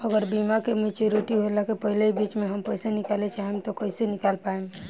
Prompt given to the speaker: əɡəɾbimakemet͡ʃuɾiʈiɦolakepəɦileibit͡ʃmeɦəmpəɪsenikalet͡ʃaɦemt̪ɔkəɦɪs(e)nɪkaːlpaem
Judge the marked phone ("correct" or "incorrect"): correct